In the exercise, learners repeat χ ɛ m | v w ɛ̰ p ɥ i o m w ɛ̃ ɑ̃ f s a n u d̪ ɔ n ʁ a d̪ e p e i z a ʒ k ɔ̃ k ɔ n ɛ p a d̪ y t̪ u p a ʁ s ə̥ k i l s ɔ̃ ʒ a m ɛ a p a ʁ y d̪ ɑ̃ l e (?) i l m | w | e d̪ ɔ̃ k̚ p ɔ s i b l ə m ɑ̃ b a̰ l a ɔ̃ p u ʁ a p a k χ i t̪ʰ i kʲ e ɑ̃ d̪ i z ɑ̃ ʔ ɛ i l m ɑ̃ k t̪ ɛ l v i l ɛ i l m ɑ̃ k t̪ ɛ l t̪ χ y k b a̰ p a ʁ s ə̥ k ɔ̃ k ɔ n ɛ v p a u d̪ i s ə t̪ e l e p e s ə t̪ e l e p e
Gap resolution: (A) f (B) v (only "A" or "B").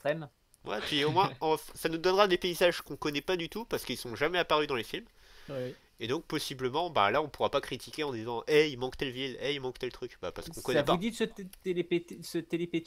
A